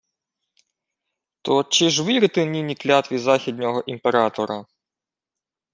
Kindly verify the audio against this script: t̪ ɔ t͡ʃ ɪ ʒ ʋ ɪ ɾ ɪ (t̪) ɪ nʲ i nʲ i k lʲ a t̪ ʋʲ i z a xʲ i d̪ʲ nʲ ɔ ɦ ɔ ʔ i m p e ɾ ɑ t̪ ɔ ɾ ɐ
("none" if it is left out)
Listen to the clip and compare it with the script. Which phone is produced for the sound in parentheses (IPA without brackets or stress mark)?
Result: t̪